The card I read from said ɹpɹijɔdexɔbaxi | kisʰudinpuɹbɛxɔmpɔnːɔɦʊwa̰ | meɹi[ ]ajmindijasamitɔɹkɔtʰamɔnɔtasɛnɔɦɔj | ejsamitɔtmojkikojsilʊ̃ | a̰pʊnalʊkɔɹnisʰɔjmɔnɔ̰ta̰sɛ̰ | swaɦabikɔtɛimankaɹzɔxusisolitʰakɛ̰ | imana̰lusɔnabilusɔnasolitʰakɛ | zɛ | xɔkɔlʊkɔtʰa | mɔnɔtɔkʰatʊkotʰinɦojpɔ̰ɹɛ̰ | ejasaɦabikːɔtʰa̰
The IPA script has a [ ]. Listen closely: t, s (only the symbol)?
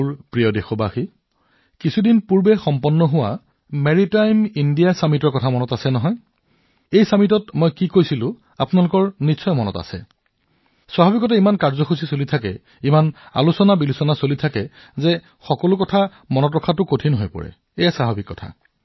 t